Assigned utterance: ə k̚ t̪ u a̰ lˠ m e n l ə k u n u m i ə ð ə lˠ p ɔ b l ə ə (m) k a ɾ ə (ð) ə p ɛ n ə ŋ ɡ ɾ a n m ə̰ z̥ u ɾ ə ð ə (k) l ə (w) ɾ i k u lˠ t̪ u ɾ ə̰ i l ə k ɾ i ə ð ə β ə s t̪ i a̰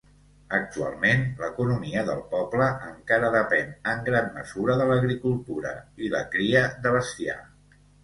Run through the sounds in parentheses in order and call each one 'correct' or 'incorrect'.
incorrect, correct, incorrect, incorrect

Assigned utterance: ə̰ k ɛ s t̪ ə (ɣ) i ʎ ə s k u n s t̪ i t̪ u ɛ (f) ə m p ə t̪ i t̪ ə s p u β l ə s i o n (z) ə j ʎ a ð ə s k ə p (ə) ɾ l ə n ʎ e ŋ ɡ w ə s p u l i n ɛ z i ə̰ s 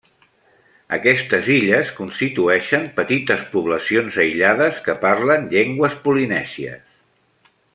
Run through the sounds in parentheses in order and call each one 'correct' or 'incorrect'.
incorrect, incorrect, correct, incorrect

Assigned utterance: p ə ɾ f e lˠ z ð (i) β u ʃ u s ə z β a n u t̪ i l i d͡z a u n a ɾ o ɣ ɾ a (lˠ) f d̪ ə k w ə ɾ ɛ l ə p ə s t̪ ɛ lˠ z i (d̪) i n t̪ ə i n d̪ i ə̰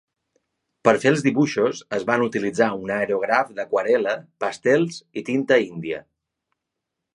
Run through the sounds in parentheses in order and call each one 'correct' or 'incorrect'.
correct, incorrect, incorrect

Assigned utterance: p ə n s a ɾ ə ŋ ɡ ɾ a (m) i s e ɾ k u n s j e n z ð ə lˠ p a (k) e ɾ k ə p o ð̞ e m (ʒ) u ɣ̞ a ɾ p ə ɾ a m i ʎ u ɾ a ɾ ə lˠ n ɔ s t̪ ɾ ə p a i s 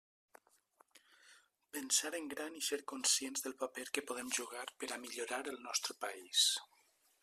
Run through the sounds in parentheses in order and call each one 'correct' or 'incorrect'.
incorrect, incorrect, correct

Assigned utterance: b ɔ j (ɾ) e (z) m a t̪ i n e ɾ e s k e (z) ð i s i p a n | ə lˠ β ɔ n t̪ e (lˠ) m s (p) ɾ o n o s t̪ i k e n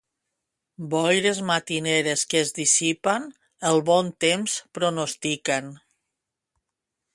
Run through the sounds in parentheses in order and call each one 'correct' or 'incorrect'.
correct, correct, correct, incorrect, correct

